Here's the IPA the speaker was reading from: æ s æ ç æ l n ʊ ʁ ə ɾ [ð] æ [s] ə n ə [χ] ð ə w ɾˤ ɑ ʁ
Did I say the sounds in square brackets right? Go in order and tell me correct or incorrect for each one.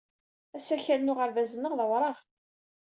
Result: incorrect: v, incorrect: z, incorrect: ʁ

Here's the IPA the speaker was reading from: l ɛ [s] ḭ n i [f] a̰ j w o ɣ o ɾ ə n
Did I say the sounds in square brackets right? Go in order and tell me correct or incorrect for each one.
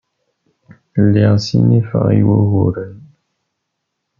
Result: correct, correct

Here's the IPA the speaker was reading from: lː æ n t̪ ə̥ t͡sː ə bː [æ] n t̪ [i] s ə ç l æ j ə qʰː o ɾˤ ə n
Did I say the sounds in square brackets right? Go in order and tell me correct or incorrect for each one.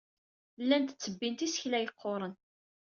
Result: incorrect: i, correct

